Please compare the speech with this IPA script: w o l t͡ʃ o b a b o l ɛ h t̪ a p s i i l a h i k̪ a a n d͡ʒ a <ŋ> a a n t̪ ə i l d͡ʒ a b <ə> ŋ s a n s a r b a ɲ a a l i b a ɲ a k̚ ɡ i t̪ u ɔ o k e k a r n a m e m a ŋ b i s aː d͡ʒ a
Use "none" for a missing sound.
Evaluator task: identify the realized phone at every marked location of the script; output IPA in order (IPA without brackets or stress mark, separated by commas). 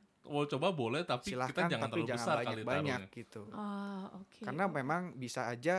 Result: ŋ, ə